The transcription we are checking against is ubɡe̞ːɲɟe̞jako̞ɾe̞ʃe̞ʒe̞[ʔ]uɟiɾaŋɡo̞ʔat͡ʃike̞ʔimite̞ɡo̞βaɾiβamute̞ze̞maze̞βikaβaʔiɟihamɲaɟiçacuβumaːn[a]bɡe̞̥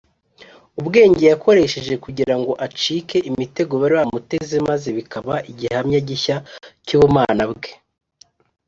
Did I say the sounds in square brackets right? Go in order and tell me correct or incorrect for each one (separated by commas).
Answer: incorrect, correct